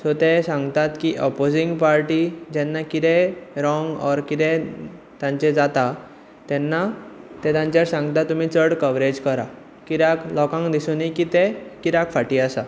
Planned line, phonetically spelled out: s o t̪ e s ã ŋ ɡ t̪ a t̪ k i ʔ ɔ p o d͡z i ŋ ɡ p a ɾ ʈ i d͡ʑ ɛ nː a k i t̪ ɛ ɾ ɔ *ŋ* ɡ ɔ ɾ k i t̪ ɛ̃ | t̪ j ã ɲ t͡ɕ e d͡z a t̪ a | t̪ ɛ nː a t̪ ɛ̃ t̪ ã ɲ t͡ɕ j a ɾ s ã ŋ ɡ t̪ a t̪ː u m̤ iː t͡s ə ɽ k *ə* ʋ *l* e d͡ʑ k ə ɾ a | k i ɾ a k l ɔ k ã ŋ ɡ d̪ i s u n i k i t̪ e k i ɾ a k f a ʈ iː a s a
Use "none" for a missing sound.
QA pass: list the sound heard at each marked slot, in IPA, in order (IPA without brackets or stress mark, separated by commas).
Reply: ŋ, ə, ɾ